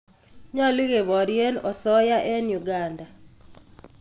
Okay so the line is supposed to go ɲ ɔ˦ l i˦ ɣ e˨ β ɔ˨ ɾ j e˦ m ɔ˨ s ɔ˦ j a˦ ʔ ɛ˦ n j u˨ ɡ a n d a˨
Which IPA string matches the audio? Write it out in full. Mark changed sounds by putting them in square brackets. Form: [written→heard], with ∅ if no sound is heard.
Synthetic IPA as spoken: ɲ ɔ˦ l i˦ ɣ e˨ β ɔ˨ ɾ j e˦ [m→n] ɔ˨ s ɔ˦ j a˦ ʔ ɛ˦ n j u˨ ɡ a n d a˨

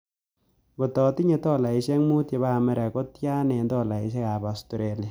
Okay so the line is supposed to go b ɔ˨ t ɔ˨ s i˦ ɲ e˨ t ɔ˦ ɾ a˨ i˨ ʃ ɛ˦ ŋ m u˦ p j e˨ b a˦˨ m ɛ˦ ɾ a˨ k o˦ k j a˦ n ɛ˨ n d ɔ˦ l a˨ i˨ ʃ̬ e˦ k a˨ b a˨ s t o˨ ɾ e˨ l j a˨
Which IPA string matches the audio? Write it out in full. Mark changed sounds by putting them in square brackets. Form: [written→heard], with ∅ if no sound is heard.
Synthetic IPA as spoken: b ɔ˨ t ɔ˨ [s→t] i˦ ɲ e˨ t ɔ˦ [ɾ→l] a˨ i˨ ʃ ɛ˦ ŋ m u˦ [p→t] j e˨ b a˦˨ m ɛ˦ ɾ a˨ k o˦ [k→t] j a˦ n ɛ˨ n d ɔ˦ l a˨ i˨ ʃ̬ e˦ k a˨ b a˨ s t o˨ ɾ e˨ l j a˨

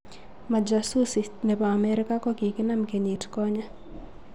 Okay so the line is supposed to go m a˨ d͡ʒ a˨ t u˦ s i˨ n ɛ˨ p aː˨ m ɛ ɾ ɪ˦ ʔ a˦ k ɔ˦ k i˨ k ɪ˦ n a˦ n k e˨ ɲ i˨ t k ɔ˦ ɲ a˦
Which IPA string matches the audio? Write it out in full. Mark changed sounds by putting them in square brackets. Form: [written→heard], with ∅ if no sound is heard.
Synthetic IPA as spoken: m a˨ d͡ʒ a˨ [t→s] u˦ s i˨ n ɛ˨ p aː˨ m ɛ ɾ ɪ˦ [ʔ→k] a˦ k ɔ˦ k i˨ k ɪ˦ n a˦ [n→m] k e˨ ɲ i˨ t k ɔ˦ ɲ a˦

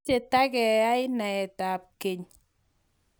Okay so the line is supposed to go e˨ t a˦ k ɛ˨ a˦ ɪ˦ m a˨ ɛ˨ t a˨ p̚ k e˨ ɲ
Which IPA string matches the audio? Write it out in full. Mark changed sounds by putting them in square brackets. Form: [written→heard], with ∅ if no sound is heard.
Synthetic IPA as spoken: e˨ t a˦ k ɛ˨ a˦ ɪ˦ [m→n] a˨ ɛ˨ t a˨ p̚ k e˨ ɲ

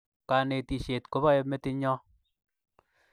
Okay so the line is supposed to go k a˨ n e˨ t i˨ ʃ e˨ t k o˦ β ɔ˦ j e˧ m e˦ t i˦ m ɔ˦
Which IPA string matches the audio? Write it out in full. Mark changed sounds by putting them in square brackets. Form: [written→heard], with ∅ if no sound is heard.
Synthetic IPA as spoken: k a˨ n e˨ t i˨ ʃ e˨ t k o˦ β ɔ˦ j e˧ m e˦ t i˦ [m→ɲ] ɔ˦

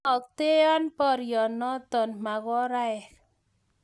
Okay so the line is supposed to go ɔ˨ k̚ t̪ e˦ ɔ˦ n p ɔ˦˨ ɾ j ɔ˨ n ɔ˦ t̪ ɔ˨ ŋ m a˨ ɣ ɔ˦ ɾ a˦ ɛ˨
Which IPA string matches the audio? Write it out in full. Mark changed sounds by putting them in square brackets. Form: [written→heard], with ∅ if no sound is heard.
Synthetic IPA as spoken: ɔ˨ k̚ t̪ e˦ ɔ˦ n p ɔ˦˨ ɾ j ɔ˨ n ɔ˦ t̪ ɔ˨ [ŋ→n] m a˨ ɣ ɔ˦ ɾ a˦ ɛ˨

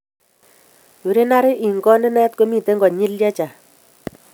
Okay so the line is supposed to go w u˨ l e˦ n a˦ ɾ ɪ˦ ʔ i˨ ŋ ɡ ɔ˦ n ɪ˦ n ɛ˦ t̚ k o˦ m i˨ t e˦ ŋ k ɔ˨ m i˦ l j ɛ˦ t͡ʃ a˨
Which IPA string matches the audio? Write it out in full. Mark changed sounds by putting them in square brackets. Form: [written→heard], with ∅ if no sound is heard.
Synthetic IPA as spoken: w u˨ [l→ɾ] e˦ n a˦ ɾ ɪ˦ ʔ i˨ ŋ ɡ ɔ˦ n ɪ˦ n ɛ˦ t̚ k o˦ m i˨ t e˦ ŋ [k→ɡ] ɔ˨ [m→ɲ] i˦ l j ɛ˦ t͡ʃ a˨

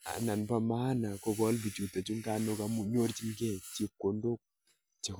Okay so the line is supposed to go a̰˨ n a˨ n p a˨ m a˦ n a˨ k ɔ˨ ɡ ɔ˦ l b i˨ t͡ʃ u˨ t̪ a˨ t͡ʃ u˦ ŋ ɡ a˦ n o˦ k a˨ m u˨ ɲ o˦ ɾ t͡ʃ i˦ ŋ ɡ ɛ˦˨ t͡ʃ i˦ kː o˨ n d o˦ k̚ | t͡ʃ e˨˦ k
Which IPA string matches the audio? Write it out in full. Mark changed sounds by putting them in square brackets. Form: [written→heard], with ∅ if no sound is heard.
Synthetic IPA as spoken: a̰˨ n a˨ n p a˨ m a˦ n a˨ k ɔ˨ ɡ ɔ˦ l b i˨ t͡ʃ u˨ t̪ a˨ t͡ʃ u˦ ŋ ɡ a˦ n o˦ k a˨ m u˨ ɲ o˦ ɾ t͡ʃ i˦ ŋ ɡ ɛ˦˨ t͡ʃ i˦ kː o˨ n d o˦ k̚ | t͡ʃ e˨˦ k

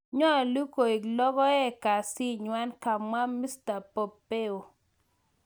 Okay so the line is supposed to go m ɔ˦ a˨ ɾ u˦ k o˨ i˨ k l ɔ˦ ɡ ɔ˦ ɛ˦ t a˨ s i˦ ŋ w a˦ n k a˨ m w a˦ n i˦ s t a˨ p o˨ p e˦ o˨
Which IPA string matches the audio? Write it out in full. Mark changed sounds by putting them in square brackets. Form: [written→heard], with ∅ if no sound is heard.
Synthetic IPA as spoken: [m→ɲ] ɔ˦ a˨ [ɾ→l] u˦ k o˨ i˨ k l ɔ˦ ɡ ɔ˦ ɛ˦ [t→k] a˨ s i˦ [ŋ→ɲ] w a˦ n k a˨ m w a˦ [n→m] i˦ s t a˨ p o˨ p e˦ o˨

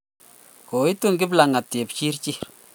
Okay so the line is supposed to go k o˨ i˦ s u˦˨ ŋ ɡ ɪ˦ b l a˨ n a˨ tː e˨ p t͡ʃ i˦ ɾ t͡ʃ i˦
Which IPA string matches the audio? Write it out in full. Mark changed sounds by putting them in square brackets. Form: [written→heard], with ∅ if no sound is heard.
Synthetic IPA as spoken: k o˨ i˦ [s→t] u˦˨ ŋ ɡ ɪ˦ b l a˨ [n→ŋ] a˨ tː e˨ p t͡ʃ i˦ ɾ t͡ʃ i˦

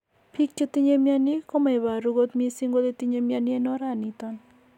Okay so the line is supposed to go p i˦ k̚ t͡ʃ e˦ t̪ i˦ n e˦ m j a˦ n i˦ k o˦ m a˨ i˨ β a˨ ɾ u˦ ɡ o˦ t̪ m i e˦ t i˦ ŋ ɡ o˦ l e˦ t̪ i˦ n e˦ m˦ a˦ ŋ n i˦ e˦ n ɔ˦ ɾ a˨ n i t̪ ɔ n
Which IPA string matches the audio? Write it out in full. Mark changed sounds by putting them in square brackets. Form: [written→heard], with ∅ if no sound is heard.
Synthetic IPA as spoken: p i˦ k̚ t͡ʃ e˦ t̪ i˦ [n→ɲ] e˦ m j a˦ n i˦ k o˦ m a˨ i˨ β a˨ ɾ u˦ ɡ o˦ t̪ m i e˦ [t→s] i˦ ŋ ɡ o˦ l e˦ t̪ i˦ [n→ɲ] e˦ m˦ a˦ [ŋ→∅] n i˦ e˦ n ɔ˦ ɾ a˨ n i t̪ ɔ n

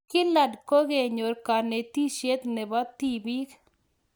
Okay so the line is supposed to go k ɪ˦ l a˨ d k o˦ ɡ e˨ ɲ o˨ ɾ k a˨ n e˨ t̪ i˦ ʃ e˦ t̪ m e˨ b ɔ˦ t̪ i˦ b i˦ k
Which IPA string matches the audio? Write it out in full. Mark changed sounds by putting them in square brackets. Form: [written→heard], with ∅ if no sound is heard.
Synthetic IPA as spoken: k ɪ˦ l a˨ d k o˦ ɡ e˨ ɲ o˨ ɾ k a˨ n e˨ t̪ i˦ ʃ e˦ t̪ [m→n] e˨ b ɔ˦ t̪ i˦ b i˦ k

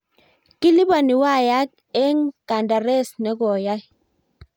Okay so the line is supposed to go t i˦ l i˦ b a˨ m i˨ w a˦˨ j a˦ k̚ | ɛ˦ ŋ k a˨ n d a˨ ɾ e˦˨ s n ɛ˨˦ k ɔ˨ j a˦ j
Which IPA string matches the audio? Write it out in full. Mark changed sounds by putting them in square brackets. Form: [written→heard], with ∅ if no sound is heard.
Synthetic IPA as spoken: [t→k] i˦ l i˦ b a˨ [m→n] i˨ w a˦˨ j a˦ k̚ | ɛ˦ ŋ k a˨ n d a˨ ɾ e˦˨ s n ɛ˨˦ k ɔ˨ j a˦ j

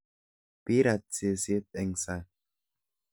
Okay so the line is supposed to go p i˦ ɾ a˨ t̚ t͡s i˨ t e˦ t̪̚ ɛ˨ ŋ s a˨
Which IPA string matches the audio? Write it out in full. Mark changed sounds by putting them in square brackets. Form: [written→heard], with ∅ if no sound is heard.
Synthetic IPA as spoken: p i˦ ɾ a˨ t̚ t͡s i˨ [t→s] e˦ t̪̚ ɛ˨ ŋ s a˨

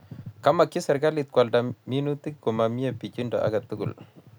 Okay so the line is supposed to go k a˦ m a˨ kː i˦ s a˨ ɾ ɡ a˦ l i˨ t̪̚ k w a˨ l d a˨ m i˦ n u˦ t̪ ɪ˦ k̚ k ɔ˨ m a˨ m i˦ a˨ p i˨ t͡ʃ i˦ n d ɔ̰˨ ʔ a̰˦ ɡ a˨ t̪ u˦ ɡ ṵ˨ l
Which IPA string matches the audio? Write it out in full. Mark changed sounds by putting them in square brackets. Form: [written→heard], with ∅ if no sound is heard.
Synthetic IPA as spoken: k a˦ m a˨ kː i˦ s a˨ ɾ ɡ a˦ l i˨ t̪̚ k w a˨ l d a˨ m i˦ n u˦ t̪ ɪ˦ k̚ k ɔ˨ m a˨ m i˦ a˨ p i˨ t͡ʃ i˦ n d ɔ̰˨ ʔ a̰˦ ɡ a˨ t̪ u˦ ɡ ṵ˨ l

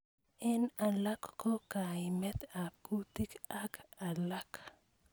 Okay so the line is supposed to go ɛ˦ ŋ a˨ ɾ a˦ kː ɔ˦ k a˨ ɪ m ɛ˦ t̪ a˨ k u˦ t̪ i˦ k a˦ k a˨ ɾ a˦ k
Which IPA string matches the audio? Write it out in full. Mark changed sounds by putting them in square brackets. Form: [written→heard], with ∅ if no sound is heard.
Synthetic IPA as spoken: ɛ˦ [ŋ→n] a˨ [ɾ→l] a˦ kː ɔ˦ k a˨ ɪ m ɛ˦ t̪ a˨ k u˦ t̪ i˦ k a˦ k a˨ [ɾ→l] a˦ k

